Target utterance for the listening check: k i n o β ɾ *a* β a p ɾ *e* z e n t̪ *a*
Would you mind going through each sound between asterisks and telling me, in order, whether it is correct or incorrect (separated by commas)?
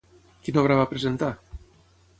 correct, correct, correct